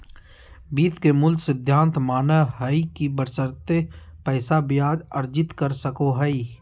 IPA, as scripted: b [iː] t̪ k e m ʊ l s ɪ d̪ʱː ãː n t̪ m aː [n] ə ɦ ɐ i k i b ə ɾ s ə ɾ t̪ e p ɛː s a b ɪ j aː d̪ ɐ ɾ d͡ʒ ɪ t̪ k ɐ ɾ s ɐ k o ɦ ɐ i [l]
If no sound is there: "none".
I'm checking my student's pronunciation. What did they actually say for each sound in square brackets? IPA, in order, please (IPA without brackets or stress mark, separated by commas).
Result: iː, n, none